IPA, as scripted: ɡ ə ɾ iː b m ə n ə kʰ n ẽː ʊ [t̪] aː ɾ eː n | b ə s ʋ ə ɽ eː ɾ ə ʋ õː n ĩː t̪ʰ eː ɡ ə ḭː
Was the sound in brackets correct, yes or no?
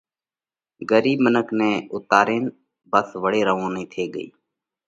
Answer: yes